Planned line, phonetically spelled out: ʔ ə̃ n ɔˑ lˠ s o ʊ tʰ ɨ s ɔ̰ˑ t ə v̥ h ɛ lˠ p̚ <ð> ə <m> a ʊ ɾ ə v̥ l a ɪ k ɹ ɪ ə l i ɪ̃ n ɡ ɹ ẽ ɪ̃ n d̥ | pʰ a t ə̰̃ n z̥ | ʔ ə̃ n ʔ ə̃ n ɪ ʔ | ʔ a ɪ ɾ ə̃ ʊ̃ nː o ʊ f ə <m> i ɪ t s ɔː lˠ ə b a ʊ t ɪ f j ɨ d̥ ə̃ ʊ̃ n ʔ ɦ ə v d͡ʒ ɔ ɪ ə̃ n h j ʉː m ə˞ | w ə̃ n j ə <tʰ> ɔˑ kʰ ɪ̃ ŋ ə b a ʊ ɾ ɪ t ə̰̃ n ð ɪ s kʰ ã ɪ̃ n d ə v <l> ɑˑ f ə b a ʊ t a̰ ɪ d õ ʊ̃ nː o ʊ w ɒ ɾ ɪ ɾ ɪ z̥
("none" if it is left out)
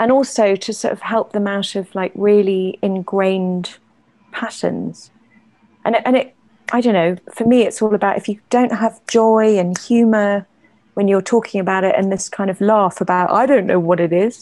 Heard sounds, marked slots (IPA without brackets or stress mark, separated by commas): ð, m, m, tʰ, l